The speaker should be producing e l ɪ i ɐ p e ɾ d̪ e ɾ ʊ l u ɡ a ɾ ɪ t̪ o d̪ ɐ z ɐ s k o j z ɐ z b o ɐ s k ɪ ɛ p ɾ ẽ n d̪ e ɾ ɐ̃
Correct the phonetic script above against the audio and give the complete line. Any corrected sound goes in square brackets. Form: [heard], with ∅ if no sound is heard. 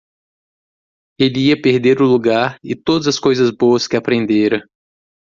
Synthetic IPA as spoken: e l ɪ i ɐ p e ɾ d̪ e ɾ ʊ l u ɡ a ɾ ɪ t̪ o d̪ ɐ z ɐ s k o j z ɐ z b o ɐ s k ɪ [a] p ɾ ẽ n d̪ e ɾ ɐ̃